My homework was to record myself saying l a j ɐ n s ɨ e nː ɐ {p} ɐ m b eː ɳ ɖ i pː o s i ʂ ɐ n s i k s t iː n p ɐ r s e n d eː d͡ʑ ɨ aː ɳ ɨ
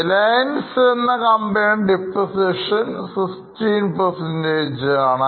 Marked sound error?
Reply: yes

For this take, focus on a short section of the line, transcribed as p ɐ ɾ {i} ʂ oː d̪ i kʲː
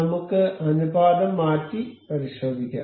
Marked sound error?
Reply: no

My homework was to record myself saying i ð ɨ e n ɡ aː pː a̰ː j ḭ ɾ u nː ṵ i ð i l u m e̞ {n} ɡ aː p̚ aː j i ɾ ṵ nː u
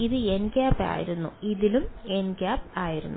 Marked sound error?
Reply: no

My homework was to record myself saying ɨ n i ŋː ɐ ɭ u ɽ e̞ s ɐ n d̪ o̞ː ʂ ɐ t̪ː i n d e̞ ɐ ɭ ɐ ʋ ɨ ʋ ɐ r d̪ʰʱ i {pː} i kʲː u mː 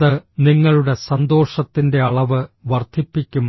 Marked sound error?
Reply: no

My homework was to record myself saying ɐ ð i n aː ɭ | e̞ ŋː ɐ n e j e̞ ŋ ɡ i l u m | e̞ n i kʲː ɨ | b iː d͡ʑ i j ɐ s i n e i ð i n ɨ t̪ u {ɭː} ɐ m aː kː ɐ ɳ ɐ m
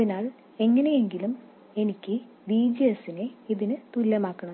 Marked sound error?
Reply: yes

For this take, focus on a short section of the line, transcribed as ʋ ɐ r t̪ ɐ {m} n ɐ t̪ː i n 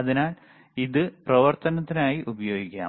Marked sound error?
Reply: yes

